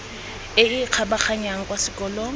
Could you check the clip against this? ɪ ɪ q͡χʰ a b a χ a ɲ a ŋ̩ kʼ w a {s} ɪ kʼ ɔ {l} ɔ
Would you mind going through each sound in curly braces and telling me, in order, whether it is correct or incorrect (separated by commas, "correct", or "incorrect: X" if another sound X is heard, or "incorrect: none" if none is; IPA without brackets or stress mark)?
correct, correct